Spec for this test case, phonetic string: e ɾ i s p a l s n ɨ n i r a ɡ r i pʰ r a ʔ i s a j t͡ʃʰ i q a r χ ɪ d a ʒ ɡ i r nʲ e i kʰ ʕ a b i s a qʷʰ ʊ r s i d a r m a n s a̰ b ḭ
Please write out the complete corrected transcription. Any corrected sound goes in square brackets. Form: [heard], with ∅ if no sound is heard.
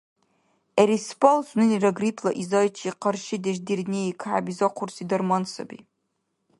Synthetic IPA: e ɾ i s p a l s n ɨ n i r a ɡ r i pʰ [l] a ʔ i [z] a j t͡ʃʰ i q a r [ʃ] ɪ d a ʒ [d] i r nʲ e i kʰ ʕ a b i [z] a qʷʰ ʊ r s i d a r m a n s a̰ b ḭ